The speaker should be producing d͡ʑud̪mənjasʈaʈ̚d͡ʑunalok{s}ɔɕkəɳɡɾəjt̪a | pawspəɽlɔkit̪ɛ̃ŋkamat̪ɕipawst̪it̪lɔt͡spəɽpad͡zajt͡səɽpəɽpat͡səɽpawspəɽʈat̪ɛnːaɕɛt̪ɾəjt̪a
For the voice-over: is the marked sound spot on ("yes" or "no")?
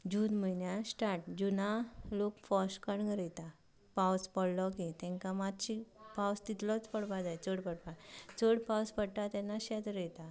no